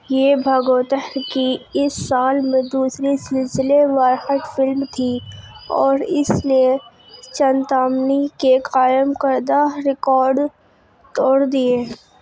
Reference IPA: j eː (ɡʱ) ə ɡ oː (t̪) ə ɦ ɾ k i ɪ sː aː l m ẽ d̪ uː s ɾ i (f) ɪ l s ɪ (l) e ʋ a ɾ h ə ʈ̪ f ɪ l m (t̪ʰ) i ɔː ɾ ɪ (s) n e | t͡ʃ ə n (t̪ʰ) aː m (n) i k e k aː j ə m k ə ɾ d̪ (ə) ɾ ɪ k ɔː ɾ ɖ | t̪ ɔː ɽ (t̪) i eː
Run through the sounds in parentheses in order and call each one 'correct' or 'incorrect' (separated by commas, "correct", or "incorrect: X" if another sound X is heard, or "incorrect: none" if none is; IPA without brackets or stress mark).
incorrect: bʱ, correct, incorrect: s, correct, correct, correct, incorrect: t̪, correct, incorrect: a, incorrect: d̪